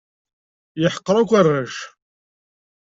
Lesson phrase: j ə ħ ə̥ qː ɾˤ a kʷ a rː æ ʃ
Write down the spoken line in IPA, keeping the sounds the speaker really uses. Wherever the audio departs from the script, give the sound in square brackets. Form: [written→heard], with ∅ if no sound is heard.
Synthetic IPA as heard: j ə ħ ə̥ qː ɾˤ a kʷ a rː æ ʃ